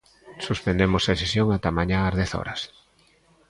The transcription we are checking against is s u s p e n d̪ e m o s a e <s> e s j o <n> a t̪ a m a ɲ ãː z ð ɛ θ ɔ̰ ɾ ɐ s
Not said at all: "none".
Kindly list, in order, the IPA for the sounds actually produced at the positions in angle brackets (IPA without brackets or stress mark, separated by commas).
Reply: s, ŋ